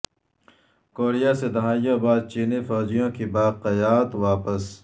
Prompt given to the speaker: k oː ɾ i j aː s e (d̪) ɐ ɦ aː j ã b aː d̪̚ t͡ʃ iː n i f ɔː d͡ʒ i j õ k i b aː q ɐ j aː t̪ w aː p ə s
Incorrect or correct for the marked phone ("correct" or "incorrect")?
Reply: correct